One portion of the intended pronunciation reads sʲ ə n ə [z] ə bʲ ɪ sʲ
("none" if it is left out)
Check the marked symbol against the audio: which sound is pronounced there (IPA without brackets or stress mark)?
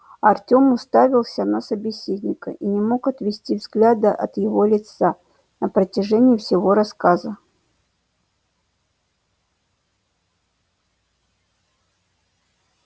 s